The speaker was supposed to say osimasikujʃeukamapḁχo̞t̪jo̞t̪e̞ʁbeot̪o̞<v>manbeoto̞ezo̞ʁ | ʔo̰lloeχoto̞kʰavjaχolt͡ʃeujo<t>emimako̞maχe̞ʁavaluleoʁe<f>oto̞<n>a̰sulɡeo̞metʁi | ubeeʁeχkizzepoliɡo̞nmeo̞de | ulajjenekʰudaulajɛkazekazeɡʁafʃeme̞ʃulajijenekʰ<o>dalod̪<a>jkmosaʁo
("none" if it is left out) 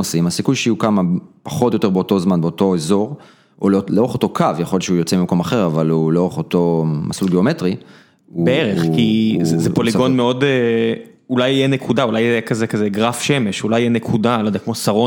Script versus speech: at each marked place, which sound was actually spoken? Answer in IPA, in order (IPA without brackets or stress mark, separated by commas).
z, t͡s, χ, m, u, a